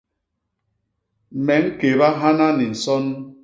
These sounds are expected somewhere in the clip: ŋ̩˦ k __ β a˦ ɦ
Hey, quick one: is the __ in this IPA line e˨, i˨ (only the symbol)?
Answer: e˨